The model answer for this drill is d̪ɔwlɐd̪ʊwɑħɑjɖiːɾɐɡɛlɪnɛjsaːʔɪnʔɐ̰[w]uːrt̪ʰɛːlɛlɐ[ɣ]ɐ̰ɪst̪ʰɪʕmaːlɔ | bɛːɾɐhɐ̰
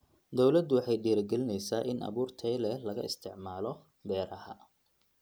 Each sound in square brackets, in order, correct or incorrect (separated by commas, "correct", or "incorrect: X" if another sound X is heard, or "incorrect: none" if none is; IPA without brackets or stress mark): incorrect: β, correct